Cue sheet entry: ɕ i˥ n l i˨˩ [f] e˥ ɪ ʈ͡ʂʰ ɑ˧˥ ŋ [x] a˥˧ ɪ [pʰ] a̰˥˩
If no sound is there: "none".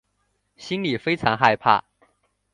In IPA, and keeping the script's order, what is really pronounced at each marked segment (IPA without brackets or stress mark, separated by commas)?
f, x, pʰ